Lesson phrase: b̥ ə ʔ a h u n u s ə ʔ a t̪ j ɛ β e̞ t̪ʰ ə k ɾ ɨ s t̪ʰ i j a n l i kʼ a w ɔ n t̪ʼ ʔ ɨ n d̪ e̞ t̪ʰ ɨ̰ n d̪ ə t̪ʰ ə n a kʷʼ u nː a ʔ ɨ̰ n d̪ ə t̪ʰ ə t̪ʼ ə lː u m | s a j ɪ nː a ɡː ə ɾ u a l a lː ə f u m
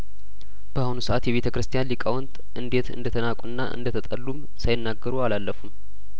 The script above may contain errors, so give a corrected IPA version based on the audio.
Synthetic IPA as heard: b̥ ə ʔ a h u n u s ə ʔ a t̪ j ɛ β e̞ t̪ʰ ə k ɾ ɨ s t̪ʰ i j a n l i kʼ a w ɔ n t̪ʼ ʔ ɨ n d̪ e̞ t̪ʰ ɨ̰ n d̪ ə t̪ʰ ə n a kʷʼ u nː a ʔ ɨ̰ n d̪ ə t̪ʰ ə t̪ʼ ə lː u m | s a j ɪ nː a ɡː ə ɾ u a l a lː ə f u m